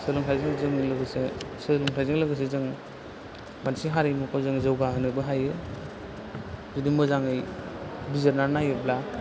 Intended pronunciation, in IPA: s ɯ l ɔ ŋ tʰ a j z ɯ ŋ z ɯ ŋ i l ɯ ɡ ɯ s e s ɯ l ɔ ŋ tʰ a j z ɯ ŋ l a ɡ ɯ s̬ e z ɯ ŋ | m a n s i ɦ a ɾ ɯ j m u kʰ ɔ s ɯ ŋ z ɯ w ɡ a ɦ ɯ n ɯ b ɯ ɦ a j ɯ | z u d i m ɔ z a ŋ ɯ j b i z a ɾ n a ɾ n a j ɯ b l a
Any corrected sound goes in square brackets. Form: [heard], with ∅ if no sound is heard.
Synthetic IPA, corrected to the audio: s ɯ l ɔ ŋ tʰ a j z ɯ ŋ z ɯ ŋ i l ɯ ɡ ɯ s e s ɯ l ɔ ŋ tʰ a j z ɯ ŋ l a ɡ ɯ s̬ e z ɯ ŋ | m a n s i ɦ a ɾ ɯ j m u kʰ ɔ [z] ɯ ŋ z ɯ w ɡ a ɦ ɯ n ɯ b ɯ ɦ a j ɯ | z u d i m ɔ z a ŋ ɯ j b i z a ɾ n a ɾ n a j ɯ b l a